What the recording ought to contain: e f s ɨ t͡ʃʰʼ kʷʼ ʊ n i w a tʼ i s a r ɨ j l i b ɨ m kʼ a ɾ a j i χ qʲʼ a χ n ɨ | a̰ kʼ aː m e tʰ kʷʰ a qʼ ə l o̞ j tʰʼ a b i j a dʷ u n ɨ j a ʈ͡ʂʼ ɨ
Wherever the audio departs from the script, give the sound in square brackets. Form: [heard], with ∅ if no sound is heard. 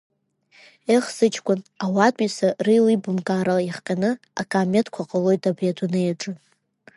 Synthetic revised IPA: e [χ] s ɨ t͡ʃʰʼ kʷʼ ʊ n [a] w a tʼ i s a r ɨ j l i b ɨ m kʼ a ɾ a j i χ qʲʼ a [∅] n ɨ | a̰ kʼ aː m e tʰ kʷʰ a qʼ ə l o̞ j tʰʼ a b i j a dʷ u n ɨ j a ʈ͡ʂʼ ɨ